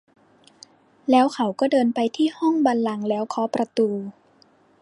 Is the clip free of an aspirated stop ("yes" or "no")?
no